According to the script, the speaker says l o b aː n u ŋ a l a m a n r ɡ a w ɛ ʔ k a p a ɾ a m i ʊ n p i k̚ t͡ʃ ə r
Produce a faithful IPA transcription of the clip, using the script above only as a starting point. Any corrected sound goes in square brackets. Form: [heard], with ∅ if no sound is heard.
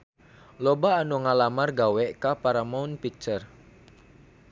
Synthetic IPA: l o b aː n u ŋ a l a m a [∅] r ɡ a w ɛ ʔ k a p a ɾ a m [a] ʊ n p i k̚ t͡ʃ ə r

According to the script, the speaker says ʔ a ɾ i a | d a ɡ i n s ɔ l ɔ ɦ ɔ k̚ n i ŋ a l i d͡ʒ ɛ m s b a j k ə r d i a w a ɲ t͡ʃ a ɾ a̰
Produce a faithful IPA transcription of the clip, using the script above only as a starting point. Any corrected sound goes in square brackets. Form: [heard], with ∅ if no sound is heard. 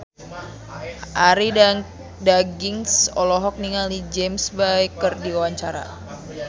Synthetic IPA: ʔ a ɾ i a | d a ɡ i [ŋ] s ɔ l ɔ ɦ ɔ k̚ n i ŋ a l i d͡ʒ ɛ m s b a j k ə r d i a w a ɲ t͡ʃ a ɾ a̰

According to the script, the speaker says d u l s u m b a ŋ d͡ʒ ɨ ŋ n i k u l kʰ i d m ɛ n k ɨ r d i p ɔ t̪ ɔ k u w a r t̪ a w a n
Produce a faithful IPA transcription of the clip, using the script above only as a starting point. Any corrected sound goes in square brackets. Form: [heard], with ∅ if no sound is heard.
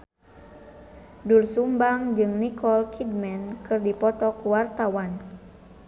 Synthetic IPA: d u l s u m b a ŋ d͡ʒ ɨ ŋ n i k [ɔ] l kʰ i d m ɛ n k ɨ r d i p ɔ t̪ ɔ k u w a r t̪ a w a n

